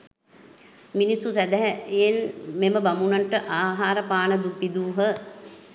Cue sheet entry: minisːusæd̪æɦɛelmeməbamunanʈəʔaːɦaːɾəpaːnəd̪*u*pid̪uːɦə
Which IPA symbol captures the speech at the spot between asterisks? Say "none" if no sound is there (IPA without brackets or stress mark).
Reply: u